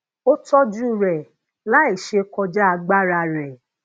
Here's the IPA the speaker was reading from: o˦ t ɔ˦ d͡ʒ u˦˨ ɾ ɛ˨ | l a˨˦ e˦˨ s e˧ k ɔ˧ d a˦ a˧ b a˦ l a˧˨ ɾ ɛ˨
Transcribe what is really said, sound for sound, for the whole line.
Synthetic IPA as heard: o˦ t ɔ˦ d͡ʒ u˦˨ ɾ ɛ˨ | l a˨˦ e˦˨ ʃ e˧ k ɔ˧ d͡ʒ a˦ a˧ ɡ͡b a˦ ɾ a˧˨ ɾ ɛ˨